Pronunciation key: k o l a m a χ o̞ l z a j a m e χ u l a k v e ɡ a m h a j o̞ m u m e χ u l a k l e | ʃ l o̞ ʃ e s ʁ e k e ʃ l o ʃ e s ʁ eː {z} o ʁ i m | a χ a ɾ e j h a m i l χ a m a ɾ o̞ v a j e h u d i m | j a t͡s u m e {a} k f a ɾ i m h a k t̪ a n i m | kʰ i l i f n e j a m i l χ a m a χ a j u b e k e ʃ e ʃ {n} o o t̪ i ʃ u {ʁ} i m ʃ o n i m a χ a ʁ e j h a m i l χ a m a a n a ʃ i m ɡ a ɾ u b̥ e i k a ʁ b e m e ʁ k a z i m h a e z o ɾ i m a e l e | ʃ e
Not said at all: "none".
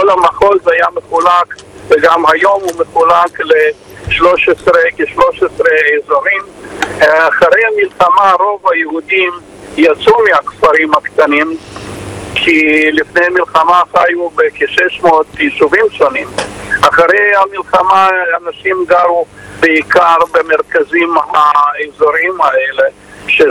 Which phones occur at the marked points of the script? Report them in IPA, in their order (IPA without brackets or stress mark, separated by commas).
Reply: z, a, m, v